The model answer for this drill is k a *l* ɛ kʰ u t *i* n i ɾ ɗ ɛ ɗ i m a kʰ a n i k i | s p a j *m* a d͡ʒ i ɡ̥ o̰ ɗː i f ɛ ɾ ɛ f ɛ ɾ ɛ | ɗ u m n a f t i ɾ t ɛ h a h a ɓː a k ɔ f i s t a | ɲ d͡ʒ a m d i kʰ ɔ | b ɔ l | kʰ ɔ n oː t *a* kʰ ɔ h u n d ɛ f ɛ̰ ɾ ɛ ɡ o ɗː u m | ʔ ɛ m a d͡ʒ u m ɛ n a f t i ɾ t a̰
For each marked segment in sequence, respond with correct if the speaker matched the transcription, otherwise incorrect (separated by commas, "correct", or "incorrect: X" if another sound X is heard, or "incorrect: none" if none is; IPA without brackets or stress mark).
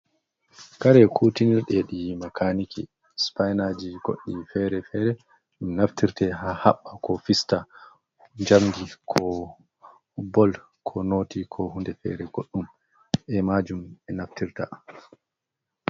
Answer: incorrect: ɾ, correct, incorrect: n, incorrect: i